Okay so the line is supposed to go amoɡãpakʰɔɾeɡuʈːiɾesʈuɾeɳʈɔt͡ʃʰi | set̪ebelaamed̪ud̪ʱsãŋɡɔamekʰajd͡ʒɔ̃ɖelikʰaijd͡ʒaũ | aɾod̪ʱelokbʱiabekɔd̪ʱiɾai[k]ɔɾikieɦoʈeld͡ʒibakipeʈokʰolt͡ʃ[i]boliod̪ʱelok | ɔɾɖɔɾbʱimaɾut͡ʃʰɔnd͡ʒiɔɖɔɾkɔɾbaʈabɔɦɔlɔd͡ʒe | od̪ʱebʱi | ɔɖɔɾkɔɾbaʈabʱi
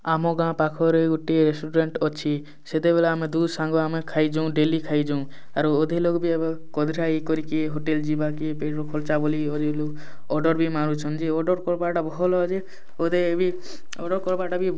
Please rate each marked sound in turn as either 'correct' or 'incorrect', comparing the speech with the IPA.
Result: correct, incorrect: a

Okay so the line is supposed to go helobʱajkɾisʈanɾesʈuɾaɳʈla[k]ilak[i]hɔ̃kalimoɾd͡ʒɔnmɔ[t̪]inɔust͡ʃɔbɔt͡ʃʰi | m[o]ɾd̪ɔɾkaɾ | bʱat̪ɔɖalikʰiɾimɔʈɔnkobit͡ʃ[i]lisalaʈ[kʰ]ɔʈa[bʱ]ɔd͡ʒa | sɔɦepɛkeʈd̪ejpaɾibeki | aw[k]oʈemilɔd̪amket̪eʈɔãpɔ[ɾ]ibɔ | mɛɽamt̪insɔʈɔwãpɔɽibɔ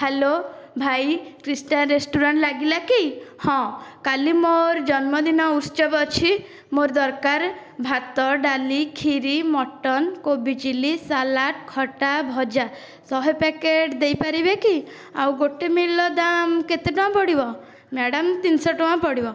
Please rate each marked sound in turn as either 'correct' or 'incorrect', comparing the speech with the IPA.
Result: incorrect: ɡ, correct, incorrect: d̪, correct, correct, correct, correct, incorrect: ɡ, incorrect: ɽ

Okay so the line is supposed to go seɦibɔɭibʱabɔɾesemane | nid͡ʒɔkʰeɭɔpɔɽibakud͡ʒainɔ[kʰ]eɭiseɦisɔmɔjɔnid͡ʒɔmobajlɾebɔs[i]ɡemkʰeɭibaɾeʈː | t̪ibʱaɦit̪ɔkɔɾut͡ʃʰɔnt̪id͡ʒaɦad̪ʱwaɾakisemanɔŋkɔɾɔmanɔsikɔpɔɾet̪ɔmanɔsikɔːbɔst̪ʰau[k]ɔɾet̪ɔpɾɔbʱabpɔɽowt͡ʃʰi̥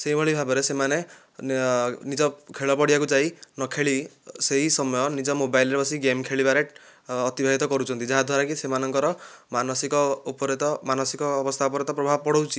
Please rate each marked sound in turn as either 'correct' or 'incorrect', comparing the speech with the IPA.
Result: correct, correct, incorrect: p

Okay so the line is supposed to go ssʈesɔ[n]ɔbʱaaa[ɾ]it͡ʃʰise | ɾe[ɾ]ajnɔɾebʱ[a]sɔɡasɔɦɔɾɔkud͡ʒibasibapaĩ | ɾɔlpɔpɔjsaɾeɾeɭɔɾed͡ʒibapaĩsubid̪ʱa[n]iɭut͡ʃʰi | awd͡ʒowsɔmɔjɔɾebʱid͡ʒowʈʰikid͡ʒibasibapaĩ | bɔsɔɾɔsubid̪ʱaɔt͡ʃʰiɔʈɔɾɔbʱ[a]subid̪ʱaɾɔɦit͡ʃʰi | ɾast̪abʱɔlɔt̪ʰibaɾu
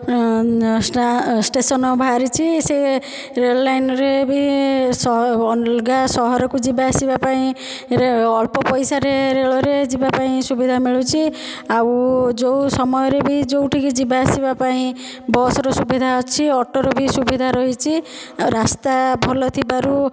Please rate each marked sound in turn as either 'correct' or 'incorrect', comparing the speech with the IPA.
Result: correct, correct, incorrect: l, incorrect: i, incorrect: m, incorrect: i

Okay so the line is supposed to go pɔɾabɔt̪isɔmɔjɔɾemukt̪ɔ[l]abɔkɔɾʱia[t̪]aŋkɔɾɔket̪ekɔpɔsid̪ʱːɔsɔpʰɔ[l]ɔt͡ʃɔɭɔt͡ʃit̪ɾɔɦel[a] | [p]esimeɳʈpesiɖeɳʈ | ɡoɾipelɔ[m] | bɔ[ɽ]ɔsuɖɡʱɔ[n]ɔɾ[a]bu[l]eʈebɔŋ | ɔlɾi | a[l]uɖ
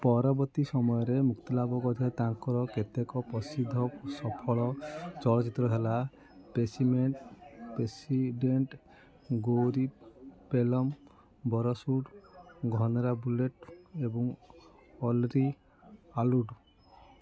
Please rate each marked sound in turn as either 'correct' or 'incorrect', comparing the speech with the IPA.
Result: correct, correct, incorrect: ɭ, correct, correct, correct, incorrect: ɾ, correct, correct, correct, correct

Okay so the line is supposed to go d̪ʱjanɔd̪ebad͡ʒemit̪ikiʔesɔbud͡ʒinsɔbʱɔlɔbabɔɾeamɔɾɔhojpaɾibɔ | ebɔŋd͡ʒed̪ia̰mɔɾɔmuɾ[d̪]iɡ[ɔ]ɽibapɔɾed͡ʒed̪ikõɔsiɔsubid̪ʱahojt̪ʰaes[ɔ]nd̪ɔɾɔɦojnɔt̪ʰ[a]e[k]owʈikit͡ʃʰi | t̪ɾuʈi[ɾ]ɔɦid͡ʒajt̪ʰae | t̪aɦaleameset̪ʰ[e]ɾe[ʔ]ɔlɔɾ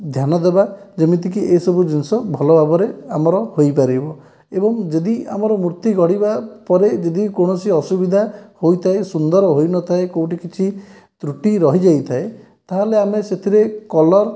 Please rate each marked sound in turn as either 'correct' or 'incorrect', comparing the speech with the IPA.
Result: incorrect: t̪, correct, incorrect: u, correct, correct, correct, incorrect: i, incorrect: k

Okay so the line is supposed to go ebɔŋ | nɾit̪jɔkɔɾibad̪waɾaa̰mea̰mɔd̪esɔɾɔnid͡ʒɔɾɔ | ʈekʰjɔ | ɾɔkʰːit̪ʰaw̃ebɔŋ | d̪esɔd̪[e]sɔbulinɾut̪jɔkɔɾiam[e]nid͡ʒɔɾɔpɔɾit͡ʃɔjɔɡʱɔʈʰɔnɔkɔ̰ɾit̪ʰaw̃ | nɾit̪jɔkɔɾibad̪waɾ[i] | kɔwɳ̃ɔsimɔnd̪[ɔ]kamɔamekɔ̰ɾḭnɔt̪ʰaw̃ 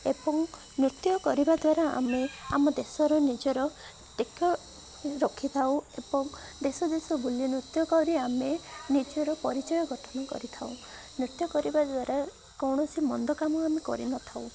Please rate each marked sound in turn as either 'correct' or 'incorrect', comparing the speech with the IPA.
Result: correct, correct, incorrect: a, correct

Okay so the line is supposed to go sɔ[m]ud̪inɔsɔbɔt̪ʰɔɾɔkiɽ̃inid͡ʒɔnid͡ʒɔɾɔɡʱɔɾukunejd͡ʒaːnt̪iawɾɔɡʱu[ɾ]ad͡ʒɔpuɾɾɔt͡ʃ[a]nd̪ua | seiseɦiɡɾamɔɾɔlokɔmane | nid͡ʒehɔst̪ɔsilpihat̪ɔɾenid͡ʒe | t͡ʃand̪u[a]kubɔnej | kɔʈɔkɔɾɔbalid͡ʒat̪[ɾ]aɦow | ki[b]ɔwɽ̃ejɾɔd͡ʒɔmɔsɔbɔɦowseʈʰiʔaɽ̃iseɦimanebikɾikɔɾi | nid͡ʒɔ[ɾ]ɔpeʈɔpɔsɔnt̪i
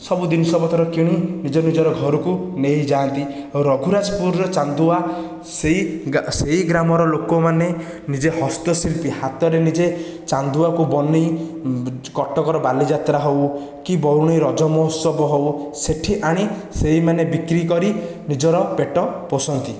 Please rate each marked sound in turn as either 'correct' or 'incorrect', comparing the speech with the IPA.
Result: incorrect: b, correct, correct, correct, correct, correct, correct

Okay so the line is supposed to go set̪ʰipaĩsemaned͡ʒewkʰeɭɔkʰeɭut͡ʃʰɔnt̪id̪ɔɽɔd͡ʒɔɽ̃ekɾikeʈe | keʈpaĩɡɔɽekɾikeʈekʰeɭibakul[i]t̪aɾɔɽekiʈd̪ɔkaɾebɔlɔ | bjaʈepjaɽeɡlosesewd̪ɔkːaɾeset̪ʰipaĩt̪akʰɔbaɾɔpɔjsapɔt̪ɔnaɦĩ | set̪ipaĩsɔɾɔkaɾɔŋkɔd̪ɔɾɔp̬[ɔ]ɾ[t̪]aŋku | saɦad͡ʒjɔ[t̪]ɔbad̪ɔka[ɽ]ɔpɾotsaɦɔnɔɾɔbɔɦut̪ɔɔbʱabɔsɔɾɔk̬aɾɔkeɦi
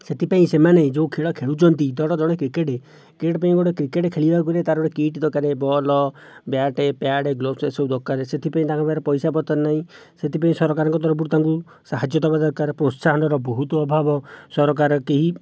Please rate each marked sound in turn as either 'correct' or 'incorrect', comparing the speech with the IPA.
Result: incorrect: e, incorrect: u, correct, correct, incorrect: ɾ

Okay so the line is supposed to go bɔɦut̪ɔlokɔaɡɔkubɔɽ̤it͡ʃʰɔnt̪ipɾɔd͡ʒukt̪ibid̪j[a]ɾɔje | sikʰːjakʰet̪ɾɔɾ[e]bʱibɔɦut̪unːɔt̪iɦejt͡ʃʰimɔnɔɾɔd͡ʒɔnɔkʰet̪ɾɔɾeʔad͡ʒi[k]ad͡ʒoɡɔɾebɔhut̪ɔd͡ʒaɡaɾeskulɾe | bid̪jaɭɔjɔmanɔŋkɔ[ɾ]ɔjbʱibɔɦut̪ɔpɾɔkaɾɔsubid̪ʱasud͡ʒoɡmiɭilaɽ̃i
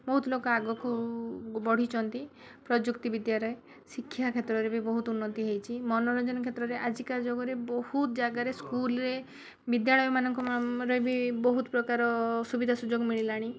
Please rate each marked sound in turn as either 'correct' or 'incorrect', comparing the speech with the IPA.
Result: correct, correct, correct, correct

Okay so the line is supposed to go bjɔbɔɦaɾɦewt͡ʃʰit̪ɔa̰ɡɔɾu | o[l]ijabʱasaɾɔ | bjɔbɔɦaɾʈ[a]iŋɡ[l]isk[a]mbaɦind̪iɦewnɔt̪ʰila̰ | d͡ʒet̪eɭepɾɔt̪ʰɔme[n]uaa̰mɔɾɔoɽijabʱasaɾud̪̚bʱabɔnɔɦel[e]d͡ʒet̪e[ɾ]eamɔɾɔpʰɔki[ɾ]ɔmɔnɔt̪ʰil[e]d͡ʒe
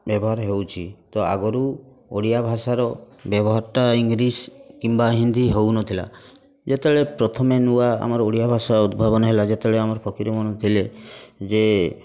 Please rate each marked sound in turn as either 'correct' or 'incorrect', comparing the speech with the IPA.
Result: incorrect: ɽ, correct, incorrect: ɾ, incorrect: i, correct, incorrect: a, incorrect: ɭ, correct, correct

